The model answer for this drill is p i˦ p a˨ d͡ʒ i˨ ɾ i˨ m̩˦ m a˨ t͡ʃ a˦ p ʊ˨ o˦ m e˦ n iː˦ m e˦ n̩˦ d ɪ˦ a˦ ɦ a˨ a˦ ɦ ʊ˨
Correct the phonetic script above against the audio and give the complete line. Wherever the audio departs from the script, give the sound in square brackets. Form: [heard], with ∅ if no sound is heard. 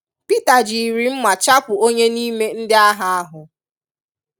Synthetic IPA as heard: p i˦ [t] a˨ d͡ʒ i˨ ɾ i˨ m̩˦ m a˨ t͡ʃ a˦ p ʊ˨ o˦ [ɲ] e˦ n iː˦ m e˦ n̩˦ d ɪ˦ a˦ ɦ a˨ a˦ ɦ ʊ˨